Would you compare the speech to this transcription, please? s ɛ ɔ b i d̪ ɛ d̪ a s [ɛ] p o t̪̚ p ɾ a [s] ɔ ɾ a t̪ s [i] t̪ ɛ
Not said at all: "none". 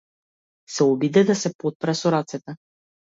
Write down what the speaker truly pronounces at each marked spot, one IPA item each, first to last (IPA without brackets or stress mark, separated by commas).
ɛ, s, ɛ